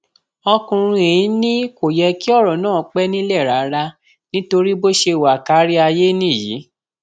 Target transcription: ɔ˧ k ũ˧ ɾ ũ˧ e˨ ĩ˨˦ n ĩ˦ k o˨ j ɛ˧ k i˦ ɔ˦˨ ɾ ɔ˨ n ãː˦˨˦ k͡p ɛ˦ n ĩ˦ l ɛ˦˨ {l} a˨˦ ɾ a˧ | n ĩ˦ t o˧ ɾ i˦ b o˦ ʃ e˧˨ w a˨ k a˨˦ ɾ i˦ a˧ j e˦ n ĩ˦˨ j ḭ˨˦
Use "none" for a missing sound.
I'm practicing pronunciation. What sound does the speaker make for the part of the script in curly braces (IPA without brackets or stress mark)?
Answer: ɾ